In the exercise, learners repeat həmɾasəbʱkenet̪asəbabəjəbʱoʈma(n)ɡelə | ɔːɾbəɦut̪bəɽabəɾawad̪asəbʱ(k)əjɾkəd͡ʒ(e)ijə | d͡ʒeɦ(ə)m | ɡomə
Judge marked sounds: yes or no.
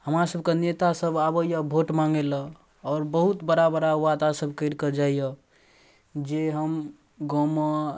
no, yes, no, yes

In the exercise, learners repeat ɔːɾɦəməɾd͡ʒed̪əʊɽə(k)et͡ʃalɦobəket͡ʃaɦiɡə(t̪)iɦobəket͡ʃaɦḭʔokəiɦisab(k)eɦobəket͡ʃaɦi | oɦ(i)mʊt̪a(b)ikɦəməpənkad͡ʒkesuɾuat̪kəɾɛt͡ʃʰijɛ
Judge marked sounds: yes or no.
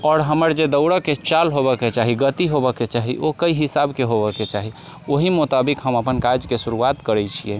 yes, yes, yes, yes, yes

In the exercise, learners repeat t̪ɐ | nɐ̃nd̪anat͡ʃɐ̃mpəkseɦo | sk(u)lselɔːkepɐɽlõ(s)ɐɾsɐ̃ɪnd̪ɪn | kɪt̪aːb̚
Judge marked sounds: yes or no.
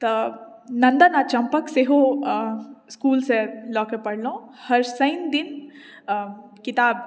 no, no

